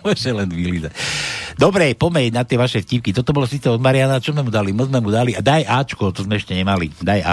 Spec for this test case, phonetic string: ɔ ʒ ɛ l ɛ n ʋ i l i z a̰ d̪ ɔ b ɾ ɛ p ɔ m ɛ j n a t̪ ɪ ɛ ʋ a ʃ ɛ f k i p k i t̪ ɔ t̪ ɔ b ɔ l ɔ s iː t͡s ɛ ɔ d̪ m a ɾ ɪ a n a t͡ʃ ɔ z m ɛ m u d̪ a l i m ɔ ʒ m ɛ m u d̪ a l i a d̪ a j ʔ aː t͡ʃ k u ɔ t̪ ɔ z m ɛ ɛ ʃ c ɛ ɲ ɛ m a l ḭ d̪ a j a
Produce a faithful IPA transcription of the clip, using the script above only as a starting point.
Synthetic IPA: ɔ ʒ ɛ l ɛ n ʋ i l i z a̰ d̪ ɔ b ɾ ɛ p ɔ m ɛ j n a t̪ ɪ ɛ ʋ a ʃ ɛ f c i p k i t̪ ɔ t̪ ɔ b ɔ l ɔ s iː t͡s ɛ ɔ d̪ m a ɾ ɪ a n a t͡ʃ ɔ z m ɛ m u d̪ a l i m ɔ z m ɛ m u d̪ a l i a d̪ a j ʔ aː t͡ʃ k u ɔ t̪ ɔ z m ɛ ɛ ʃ c ɛ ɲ ɛ m a l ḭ d̪ a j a